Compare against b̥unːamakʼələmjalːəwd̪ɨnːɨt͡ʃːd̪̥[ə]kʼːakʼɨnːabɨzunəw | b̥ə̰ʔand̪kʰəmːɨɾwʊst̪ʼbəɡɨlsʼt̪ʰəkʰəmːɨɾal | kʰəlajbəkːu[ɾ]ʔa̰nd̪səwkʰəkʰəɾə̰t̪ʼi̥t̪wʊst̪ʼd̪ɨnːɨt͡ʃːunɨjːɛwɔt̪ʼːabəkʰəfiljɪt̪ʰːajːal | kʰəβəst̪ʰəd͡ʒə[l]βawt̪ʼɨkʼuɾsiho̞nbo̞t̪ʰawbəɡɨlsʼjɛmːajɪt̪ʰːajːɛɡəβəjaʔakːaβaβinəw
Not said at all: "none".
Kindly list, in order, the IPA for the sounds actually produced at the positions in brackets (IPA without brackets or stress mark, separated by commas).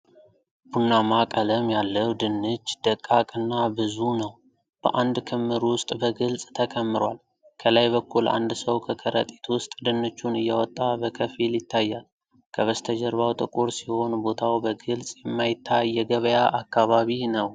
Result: ə, l, ɾ